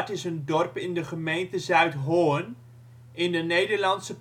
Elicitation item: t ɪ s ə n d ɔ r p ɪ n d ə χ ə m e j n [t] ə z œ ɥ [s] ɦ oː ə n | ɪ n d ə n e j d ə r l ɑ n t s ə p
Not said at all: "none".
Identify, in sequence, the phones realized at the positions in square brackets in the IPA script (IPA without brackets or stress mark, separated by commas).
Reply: t, t